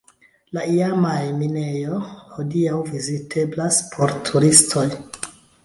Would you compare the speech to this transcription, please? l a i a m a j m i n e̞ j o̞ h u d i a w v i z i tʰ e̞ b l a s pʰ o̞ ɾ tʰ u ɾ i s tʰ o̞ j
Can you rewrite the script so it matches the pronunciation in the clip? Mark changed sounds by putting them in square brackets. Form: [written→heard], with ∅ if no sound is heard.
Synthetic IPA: l a i a m a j m i n e̞ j o̞ h [u→o] d i a w v i z i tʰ e̞ b l a s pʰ o̞ ɾ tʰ u ɾ i s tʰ o̞ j